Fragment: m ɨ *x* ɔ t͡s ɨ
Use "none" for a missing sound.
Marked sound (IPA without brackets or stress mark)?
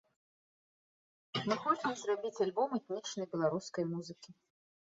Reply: x